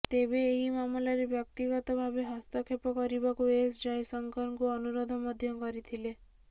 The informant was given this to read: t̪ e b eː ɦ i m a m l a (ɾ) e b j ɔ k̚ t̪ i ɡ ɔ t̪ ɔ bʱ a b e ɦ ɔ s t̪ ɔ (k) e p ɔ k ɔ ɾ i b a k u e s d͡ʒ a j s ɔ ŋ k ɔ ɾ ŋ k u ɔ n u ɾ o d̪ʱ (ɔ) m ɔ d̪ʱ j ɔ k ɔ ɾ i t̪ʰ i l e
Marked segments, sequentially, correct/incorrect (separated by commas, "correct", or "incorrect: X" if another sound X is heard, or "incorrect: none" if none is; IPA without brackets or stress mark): correct, incorrect: kʰ, correct